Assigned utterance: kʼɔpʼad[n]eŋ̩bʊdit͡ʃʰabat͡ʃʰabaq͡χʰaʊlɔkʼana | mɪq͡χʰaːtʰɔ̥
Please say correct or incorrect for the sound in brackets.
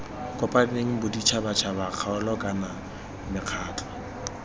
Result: correct